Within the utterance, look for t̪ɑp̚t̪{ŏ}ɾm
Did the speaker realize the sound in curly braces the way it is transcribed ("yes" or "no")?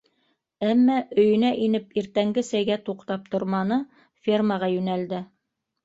yes